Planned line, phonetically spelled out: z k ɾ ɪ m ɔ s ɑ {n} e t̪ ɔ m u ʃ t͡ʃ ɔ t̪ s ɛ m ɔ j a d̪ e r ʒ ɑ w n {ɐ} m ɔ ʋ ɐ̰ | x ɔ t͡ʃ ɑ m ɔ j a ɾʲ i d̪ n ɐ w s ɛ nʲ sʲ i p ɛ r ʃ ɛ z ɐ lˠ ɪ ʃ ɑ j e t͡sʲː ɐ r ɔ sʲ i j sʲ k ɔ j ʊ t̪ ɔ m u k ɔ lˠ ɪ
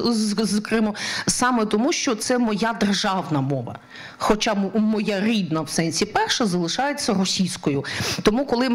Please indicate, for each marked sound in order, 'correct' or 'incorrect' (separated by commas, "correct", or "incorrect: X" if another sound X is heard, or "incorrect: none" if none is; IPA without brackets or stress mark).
incorrect: m, correct